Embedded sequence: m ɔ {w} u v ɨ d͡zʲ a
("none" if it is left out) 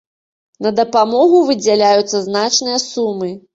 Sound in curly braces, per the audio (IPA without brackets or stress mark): ɣ